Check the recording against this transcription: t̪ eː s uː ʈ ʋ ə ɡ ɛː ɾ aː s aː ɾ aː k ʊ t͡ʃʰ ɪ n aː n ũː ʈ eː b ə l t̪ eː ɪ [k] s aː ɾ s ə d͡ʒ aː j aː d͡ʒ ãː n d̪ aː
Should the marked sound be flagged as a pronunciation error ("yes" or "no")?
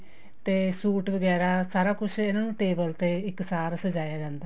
no